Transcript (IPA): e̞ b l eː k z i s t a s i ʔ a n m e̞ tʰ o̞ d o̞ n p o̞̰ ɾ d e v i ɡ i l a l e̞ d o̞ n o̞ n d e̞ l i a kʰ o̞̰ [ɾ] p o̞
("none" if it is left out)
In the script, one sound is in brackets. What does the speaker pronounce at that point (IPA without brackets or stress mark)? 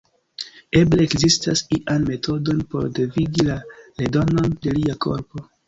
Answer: ɾ